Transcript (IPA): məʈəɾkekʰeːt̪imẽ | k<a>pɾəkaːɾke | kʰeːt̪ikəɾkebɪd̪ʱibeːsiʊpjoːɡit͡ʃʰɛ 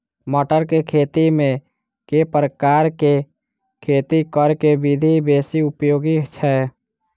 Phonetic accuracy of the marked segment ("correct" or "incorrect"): incorrect